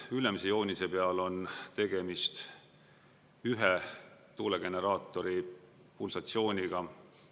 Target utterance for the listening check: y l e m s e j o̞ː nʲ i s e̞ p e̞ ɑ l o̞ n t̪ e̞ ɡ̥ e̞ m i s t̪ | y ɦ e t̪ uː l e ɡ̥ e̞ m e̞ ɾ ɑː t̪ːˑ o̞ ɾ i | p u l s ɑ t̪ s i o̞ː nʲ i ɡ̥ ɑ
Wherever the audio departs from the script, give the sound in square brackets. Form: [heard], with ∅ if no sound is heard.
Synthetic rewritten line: y l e m s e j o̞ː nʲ i s e̞ p e̞ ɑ l o̞ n t̪ e̞ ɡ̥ e̞ m i s t̪ | y ɦ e t̪ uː l e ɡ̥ e̞ [n] e̞ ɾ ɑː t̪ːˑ o̞ ɾ i | p u l s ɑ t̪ s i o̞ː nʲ i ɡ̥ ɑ